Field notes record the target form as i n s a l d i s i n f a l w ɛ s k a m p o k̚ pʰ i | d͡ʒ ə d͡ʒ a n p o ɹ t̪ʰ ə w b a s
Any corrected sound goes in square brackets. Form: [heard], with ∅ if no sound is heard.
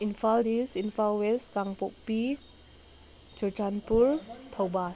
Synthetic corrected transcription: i n [f] a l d i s i n f a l w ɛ s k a [ŋ] p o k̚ [p] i | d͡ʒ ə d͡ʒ a n p [u] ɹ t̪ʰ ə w b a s